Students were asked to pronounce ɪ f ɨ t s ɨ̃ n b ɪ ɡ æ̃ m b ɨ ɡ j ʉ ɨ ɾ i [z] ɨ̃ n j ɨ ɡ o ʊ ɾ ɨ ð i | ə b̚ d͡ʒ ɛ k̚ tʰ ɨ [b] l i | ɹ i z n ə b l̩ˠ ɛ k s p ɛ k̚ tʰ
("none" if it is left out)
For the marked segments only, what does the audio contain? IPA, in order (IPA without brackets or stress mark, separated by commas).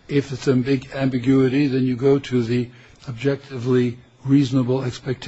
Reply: ð, v